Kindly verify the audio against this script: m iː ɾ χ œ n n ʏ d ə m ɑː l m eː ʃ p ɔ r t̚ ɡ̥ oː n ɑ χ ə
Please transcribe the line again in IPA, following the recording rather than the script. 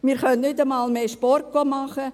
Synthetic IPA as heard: m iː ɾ χ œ n n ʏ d ə m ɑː l m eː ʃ p ɔ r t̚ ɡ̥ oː m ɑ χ ə